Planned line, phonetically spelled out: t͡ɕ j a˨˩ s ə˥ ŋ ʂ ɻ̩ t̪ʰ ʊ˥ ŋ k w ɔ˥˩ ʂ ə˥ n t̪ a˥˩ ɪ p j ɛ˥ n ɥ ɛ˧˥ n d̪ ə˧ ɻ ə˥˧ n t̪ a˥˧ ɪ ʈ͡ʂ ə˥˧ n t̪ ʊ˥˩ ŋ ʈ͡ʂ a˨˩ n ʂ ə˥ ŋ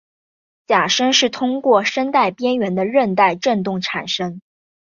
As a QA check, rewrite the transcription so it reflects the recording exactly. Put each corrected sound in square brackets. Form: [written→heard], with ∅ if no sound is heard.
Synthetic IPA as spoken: t͡ɕ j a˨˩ [s→ʂ] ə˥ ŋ ʂ ɻ̩ t̪ʰ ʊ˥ ŋ k w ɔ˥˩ ʂ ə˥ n t̪ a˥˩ ɪ p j ɛ˥ n ɥ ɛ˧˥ n d̪ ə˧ ɻ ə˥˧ n t̪ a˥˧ ɪ ʈ͡ʂ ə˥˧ n t̪ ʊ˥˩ ŋ [ʈ͡ʂ→ʈ͡ʂʰ] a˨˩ n ʂ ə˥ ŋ

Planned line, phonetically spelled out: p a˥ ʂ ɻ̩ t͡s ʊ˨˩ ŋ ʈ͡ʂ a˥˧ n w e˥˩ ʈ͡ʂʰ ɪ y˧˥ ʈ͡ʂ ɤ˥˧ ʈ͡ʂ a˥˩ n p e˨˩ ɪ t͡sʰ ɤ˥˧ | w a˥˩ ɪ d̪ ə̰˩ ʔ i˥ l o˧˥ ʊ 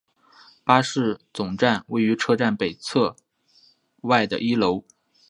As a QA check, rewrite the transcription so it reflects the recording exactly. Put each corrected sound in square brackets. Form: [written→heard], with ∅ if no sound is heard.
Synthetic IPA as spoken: p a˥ ʂ ɻ̩ t͡s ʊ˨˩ ŋ ʈ͡ʂ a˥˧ n w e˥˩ [ʈ͡ʂʰ→∅] ɪ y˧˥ [ʈ͡ʂ→ʈ͡ʂʰ] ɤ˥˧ ʈ͡ʂ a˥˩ n p e˨˩ ɪ t͡sʰ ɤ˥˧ | w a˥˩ ɪ d̪ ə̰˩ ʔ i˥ l o˧˥ ʊ

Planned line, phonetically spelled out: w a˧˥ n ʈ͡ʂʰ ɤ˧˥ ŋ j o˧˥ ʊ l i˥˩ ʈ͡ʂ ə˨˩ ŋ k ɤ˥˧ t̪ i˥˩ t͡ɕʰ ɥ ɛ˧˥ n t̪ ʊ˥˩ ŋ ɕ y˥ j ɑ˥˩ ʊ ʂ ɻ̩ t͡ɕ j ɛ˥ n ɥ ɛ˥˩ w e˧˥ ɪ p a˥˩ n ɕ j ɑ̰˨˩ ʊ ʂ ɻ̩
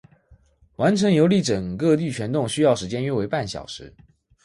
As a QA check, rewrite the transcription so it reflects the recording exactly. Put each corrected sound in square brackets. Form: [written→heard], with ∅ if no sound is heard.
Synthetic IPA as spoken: w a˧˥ n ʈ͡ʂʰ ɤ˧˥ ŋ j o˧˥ ʊ l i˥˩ ʈ͡ʂ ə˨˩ ŋ k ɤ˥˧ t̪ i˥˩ t͡ɕʰ ɥ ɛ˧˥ n t̪ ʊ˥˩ ŋ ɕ y˥ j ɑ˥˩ ʊ ʂ ɻ̩ t͡ɕ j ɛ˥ n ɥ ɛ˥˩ w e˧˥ ɪ p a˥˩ n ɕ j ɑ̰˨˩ ʊ ʂ ɻ̩

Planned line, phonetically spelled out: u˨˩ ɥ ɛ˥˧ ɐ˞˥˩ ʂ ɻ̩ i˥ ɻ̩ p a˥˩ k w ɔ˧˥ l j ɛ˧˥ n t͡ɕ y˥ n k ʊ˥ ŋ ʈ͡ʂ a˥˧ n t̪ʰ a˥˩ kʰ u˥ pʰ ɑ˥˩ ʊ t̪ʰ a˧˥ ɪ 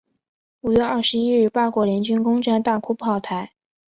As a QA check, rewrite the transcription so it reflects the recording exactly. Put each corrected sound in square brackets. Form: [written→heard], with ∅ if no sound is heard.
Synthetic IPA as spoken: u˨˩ ɥ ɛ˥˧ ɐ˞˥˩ ʂ ɻ̩ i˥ ɻ̩ p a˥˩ k w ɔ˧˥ l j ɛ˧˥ n t͡ɕ y˥ n k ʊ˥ ŋ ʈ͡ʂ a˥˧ n [t̪ʰ→t̪] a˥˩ kʰ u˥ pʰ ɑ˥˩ ʊ t̪ʰ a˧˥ ɪ

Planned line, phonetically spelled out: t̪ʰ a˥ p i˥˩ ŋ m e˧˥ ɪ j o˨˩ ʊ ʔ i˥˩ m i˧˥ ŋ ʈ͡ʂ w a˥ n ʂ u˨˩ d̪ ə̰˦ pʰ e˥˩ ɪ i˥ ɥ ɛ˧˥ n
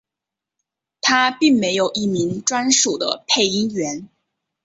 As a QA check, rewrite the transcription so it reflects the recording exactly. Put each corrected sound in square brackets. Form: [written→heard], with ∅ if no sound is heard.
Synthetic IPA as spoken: t̪ʰ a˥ p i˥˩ ŋ m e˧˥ ɪ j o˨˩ ʊ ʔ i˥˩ m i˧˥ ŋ ʈ͡ʂ w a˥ n ʂ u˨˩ d̪ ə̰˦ pʰ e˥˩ ɪ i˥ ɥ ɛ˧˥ n

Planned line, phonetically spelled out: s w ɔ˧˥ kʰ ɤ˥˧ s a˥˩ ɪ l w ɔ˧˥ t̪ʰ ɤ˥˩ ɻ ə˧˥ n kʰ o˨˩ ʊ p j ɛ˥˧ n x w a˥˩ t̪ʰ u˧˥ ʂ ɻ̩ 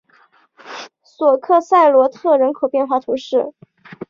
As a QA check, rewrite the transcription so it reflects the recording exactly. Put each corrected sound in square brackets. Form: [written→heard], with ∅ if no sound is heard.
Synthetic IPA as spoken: s w [ɔ˧˥→ɔ˨˩] kʰ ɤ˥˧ s a˥˩ ɪ l w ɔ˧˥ t̪ʰ ɤ˥˩ ɻ ə˧˥ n kʰ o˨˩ ʊ p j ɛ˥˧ n x w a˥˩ t̪ʰ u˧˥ ʂ ɻ̩

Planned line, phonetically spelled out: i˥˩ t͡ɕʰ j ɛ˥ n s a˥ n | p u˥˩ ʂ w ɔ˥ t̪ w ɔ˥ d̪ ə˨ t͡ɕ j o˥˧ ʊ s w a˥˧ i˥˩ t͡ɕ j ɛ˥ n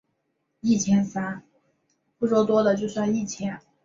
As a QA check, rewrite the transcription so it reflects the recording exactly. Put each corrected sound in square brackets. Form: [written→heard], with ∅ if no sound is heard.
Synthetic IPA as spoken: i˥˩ t͡ɕʰ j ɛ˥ n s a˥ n | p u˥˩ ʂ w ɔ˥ t̪ w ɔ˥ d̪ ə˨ t͡ɕ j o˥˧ ʊ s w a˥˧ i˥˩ [t͡ɕ→t͡ɕʰ] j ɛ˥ n

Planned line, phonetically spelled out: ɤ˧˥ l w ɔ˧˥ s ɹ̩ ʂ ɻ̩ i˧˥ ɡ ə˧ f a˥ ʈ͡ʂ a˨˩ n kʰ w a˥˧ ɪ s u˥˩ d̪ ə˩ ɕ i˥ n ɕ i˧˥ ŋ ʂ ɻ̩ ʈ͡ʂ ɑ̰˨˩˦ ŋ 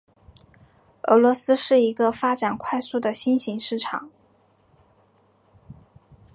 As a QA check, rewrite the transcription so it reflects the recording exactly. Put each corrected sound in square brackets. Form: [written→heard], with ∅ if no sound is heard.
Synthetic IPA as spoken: ɤ˧˥ l w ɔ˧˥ s ɹ̩ ʂ ɻ̩ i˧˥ ɡ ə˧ f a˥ ʈ͡ʂ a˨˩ n kʰ w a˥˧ ɪ s u˥˩ d̪ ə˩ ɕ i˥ n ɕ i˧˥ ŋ ʂ ɻ̩ [ʈ͡ʂ→ʈ͡ʂʰ] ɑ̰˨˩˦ ŋ

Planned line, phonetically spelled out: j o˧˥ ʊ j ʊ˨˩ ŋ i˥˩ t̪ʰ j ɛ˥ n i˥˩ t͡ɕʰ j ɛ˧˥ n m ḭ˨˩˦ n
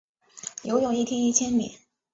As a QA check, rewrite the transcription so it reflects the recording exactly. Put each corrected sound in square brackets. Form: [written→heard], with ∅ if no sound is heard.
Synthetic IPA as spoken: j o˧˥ ʊ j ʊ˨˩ ŋ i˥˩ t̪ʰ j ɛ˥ n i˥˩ t͡ɕʰ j [ɛ˧˥→ɛ˥] n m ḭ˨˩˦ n

